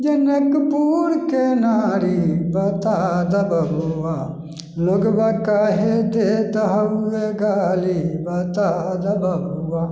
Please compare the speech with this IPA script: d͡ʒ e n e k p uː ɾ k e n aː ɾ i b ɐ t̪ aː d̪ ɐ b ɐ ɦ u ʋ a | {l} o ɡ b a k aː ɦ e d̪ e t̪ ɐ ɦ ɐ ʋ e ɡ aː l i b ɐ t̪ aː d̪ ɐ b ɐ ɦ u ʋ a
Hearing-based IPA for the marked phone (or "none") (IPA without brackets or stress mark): l